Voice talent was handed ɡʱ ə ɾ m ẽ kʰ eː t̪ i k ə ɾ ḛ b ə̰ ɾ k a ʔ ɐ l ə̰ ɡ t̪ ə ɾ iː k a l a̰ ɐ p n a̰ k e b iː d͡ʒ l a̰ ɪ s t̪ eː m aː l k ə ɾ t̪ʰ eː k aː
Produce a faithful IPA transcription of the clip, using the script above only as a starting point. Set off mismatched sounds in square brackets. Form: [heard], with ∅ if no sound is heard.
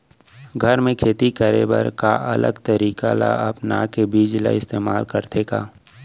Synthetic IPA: ɡʱ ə ɾ m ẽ kʰ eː t̪ i k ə ɾ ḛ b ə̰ ɾ k a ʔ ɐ l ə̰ ɡ t̪ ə ɾ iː k a l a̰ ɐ p n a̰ k e b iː d͡ʒ l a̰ ɪ s t̪ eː m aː l k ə ɾ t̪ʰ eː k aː